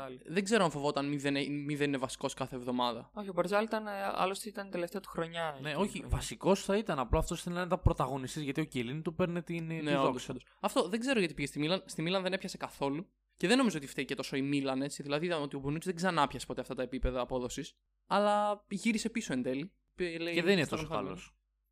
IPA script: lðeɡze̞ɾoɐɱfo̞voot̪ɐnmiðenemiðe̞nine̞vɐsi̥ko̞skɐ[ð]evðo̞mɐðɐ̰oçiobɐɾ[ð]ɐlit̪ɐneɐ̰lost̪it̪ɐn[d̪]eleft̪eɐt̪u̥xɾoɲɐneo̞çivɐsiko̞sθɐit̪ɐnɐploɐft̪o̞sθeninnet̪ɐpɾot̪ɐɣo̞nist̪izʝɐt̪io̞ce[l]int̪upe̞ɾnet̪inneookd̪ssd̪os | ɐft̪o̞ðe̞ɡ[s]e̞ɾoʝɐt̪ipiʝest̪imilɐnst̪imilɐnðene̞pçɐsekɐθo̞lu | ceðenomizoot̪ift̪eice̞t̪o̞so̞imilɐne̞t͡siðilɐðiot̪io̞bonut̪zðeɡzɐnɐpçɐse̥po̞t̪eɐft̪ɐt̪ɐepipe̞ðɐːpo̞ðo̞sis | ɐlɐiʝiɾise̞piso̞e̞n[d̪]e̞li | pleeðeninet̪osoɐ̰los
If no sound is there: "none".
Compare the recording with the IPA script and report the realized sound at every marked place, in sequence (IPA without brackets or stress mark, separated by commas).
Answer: θ, z, t̪, l, z, d̪